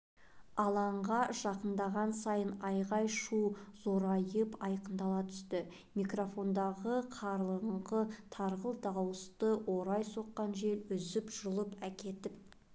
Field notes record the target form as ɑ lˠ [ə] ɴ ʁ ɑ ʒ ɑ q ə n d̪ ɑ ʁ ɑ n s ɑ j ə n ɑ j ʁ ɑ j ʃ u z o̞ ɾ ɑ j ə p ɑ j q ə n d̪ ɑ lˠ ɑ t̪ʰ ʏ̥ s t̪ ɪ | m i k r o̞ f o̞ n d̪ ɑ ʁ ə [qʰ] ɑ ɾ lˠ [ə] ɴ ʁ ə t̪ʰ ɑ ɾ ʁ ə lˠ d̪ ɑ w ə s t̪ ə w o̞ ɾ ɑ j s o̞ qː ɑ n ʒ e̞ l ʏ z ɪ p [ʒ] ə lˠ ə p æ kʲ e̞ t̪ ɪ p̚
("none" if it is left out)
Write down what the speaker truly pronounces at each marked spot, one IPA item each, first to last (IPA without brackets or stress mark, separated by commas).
ɑ, qʰ, ə, ʒ